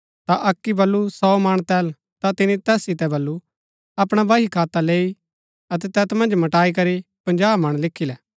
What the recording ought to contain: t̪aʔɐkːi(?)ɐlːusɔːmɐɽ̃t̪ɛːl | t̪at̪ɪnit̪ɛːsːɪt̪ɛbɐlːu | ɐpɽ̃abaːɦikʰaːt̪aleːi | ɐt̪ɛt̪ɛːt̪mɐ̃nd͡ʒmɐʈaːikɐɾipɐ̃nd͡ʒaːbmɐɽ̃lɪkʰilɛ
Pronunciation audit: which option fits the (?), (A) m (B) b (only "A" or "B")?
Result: B